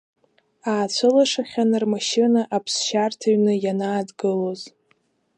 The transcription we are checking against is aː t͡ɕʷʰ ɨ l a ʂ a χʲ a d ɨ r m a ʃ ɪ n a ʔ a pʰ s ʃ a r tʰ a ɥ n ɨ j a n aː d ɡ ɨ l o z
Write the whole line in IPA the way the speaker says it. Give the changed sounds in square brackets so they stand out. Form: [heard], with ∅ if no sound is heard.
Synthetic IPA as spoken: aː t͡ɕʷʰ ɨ l a ʂ a χʲ a [n] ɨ r m a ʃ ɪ n a ʔ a pʰ s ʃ a r tʰ a ɥ n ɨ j a n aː d ɡ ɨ l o z